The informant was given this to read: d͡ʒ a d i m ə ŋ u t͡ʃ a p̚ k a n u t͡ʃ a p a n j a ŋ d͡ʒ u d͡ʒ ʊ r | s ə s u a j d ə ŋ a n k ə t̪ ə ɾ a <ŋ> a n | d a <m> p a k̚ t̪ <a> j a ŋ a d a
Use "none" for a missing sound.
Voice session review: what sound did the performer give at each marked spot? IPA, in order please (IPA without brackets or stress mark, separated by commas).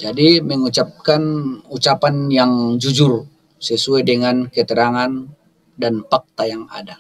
ŋ, n, a